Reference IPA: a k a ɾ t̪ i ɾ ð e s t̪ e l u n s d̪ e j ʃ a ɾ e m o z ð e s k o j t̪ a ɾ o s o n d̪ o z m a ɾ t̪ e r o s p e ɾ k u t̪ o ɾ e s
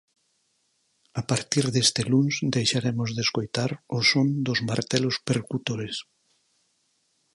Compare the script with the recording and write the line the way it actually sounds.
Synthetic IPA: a p a ɾ t̪ i ɾ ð e s t̪ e l u n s d̪ e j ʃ a ɾ e m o z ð e s k o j t̪ a ɾ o s o n d̪ o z m a ɾ t̪ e l o s p e ɾ k u t̪ o ɾ e s